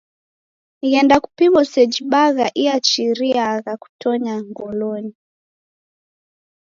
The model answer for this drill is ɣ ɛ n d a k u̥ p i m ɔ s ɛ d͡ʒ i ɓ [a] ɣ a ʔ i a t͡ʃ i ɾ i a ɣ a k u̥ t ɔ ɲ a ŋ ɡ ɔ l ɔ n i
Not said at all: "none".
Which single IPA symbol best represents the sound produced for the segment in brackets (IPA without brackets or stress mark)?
a